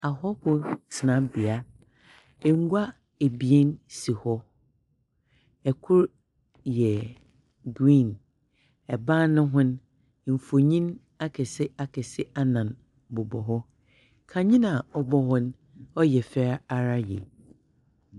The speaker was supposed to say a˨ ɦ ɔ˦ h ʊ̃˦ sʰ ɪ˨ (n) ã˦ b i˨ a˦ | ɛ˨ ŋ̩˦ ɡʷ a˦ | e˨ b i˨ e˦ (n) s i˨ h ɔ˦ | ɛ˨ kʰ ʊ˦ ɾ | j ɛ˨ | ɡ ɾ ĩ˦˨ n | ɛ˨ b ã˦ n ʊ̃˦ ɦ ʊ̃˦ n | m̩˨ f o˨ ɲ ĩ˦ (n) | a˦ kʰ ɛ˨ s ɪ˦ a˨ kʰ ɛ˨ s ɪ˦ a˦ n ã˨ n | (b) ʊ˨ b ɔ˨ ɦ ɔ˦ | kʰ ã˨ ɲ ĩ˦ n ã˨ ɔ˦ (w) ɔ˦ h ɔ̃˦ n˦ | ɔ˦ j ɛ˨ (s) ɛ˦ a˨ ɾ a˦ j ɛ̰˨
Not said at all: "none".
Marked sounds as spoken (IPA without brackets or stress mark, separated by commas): n, n, n, b, b, f